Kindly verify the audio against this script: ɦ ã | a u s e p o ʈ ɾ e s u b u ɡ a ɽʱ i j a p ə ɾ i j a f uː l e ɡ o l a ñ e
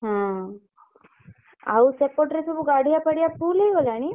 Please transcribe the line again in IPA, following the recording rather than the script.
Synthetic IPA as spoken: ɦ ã | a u s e p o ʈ ɾ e s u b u ɡ a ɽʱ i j a p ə ɽ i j a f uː l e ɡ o l a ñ i